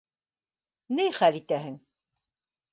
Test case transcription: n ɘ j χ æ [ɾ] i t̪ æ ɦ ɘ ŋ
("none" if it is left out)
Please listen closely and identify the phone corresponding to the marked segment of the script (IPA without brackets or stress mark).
l